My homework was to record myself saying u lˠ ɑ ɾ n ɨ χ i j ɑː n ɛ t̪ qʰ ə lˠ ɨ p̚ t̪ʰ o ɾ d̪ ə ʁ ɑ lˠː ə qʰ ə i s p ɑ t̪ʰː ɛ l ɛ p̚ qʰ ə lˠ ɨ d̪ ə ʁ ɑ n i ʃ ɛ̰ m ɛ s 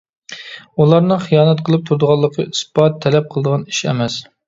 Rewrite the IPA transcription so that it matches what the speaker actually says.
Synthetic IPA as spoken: u lˠ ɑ ɾ n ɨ χ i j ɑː n ɛ t̪ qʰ ə lˠ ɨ p̚ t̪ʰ u ɾ d̪ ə ʁ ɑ lˠː ə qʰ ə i s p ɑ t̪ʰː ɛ l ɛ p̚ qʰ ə lˠ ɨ d̪ ə ʁ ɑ n i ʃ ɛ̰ m ɛ s